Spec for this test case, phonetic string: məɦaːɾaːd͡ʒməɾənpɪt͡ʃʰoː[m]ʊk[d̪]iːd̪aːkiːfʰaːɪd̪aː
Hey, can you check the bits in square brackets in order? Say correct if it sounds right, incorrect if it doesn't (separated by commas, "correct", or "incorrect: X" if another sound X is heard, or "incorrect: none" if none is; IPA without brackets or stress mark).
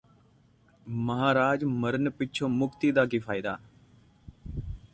correct, incorrect: t̪